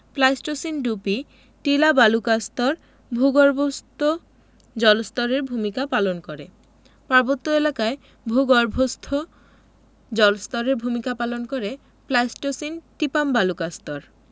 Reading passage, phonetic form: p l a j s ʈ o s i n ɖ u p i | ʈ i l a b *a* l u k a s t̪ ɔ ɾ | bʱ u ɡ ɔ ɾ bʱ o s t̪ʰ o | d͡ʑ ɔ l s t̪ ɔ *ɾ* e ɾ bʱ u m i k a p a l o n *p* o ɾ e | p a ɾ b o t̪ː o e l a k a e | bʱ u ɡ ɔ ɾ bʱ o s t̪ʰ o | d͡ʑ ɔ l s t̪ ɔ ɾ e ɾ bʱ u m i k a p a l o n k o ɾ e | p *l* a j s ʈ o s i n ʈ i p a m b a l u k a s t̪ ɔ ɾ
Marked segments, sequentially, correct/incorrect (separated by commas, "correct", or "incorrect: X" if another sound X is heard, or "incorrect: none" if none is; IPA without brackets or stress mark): correct, correct, incorrect: k, correct